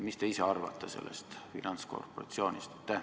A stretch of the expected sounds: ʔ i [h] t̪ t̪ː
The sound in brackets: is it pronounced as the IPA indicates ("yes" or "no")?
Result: no